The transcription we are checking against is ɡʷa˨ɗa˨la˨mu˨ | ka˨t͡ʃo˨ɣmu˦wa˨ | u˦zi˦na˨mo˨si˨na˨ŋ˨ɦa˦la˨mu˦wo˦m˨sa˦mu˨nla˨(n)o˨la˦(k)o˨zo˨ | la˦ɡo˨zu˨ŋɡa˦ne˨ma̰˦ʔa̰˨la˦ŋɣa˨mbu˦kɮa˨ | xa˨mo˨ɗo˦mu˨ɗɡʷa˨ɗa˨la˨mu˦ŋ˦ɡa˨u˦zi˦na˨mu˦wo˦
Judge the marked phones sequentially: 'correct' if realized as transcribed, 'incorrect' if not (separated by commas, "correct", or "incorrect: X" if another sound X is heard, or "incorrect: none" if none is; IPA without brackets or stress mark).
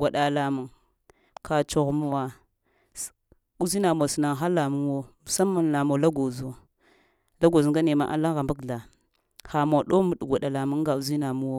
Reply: incorrect: m, incorrect: ɡ